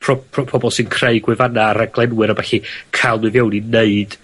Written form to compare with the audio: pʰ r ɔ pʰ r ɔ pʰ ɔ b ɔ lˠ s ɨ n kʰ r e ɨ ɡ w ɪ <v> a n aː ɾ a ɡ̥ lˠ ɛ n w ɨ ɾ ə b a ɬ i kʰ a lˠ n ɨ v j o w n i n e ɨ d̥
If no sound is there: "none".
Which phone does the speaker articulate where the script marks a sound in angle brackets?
v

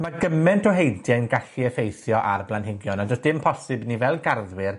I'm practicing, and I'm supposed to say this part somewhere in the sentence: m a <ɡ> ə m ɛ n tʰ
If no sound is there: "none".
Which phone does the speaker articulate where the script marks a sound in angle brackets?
ɡ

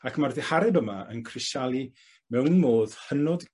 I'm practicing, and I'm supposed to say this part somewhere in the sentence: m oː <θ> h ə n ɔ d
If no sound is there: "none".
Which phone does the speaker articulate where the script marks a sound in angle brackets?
ð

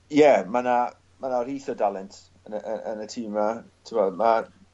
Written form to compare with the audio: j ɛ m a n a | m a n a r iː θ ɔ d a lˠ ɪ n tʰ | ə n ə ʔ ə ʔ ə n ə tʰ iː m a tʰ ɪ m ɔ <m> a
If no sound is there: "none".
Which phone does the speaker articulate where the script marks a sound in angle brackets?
m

